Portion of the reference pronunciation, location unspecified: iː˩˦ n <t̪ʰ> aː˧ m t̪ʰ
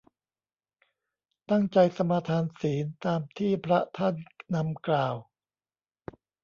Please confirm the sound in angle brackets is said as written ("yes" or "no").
no